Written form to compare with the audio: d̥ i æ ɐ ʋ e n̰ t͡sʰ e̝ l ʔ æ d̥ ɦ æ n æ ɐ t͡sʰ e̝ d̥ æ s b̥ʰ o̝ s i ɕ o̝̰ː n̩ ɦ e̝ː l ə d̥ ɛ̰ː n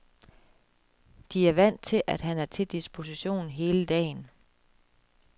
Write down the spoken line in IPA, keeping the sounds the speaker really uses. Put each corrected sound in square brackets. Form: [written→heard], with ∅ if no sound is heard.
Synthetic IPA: d̥ i æ ɐ ʋ [e→æ] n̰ t͡sʰ e̝ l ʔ æ d̥ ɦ æ n æ ɐ t͡sʰ e̝ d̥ [æ→i] s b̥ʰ o̝ s i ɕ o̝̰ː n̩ ɦ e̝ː l ə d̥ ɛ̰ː n